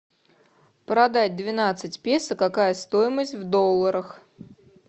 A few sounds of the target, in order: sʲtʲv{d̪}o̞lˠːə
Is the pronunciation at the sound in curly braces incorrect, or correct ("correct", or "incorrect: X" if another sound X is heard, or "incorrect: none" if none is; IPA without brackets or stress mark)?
correct